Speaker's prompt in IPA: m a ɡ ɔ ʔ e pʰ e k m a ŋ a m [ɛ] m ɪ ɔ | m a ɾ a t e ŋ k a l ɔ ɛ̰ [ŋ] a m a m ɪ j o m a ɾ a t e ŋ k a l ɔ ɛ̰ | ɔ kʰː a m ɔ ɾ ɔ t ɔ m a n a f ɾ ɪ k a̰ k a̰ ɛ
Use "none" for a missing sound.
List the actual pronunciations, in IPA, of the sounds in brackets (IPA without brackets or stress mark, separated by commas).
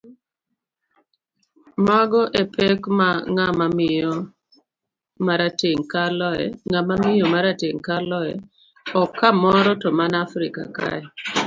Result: a, ŋ